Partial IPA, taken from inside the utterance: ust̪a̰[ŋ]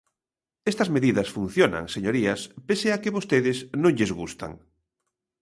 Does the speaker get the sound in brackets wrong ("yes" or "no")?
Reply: no